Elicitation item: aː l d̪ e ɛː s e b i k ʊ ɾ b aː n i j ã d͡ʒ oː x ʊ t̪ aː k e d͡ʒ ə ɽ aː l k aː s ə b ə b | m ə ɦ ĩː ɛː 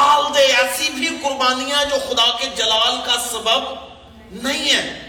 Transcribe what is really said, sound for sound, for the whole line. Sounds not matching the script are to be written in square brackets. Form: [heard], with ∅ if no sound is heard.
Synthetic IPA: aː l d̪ e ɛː s [i] b i k ʊ ɾ b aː n i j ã d͡ʒ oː x ʊ [d̪] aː k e d͡ʒ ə [l] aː l k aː s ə b ə b | [n] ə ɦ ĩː ɛː